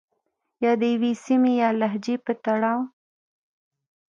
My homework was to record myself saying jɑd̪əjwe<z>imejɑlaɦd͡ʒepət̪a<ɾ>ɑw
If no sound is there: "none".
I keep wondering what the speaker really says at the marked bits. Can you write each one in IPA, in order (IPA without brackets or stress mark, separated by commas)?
s, ɽ